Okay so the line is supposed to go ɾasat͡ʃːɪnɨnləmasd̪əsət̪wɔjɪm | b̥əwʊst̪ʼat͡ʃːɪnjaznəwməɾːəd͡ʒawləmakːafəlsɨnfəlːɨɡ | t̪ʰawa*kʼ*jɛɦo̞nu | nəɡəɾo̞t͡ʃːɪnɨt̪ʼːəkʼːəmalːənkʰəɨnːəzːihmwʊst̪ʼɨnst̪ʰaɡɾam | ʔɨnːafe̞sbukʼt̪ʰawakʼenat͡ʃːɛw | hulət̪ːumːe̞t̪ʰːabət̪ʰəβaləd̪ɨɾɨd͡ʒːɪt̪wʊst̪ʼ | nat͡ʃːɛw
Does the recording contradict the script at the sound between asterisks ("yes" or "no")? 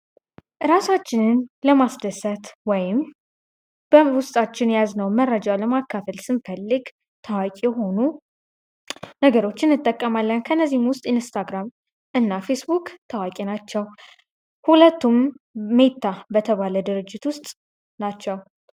no